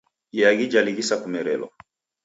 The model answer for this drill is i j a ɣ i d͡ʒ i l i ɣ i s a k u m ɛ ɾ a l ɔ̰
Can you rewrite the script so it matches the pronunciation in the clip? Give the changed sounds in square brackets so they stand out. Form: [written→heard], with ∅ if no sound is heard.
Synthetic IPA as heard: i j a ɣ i d͡ʒ [i→a] l i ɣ i s a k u m ɛ ɾ [a→ɛ] l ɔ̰

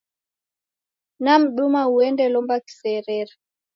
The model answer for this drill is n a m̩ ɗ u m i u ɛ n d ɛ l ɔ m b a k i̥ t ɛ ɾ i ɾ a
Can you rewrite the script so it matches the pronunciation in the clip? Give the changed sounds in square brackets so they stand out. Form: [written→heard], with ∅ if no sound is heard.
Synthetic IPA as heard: n a m̩ ɗ u m [i→a] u ɛ n d ɛ l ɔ m b a k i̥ [t→s] ɛ ɾ [i→ɛ] ɾ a

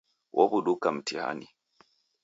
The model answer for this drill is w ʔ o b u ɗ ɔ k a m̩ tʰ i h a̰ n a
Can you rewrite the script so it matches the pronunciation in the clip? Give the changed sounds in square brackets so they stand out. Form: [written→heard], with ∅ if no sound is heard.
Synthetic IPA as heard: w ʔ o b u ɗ [ɔ→u] k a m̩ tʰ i h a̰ n [a→i]

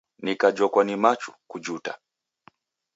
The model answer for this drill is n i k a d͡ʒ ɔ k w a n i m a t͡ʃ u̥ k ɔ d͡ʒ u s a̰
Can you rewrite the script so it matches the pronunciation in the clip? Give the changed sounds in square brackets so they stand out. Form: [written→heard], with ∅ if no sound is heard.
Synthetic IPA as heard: n i k a d͡ʒ ɔ k w a n i m a t͡ʃ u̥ k [ɔ→u] d͡ʒ u [s→t] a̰

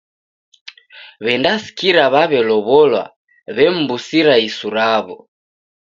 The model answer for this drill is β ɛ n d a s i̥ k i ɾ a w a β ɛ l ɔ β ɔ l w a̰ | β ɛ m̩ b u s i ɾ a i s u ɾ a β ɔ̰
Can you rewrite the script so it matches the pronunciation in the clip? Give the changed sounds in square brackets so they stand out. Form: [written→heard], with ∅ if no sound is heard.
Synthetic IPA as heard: β ɛ n d a s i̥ k i ɾ a [w→β] a β ɛ l ɔ β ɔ l w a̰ | β ɛ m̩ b u s i ɾ a i s u ɾ a β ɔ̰

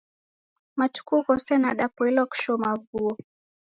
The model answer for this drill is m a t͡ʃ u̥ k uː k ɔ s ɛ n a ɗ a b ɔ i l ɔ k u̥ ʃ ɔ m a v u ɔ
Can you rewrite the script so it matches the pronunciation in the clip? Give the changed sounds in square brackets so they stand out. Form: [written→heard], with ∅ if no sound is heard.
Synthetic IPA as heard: m a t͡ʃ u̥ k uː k ɔ s ɛ n a ɗ a [b→p] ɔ i l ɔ k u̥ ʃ ɔ m a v u ɔ

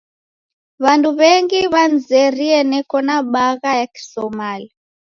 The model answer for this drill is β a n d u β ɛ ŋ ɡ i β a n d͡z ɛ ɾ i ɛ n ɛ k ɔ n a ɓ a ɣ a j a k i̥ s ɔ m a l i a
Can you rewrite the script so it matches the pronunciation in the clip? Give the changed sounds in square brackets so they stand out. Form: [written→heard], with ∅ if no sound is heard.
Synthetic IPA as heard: β a n d u β ɛ ŋ ɡ i β a n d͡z ɛ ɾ i ɛ n ɛ k ɔ n a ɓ a ɣ a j a k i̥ s ɔ m a l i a

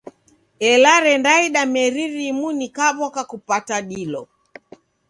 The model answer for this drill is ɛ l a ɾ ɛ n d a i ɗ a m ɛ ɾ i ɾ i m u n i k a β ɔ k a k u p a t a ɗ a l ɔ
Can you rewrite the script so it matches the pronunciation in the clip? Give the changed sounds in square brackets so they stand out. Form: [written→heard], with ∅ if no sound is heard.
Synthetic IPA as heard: ɛ l a ɾ ɛ n d a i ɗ a m ɛ ɾ i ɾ i m u n i k a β ɔ k a k u p a t a ɗ [a→i] l ɔ

